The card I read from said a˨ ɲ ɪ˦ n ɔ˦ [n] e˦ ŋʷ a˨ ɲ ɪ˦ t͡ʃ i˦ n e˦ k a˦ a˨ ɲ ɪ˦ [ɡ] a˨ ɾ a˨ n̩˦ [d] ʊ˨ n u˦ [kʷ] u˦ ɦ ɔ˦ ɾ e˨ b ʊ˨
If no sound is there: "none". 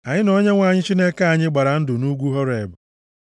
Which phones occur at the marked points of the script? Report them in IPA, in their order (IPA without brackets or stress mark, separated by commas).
ɲ, ɡ͡b, d, ɡʷ